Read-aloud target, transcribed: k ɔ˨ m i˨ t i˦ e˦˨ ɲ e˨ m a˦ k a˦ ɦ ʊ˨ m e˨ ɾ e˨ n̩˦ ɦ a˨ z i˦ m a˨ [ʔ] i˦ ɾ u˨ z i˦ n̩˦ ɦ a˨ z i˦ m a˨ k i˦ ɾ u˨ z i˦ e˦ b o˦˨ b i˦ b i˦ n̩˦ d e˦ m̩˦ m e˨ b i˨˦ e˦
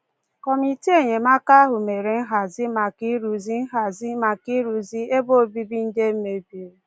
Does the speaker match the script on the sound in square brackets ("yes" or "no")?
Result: no